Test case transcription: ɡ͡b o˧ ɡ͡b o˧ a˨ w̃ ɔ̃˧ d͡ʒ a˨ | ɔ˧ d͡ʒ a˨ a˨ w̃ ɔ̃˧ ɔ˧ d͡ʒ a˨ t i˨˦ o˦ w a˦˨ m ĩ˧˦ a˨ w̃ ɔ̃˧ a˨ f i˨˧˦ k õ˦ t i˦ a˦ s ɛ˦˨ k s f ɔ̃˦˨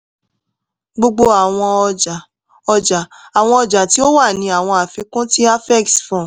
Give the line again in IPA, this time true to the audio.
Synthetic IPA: ɡ͡b o˧ ɡ͡b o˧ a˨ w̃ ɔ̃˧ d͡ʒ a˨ | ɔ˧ d͡ʒ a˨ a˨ w̃ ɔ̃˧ ɔ˧ d͡ʒ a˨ t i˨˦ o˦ w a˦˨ n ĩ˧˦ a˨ w̃ ɔ̃˧ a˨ f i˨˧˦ k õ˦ t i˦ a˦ f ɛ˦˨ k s f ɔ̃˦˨